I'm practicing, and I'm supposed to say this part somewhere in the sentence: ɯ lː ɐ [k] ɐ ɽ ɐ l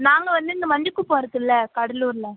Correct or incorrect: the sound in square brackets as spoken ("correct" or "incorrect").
correct